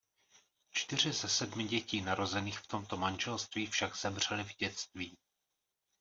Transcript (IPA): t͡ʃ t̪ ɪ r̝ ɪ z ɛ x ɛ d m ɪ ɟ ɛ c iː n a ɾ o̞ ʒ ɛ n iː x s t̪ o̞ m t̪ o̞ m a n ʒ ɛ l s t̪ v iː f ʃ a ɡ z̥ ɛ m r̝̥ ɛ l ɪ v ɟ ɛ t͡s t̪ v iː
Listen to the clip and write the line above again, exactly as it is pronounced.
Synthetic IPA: t͡ʃ t̪ ɪ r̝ ɪ z ɛ s ɛ d m ɪ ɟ ɛ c iː n a ɾ o̞ z ɛ n iː x f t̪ o̞ m t̪ o̞ m a n ʒ ɛ l s t̪ v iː f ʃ a ɡ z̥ ɛ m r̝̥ ɛ l ɪ v ɟ ɛ t͡s t̪ v iː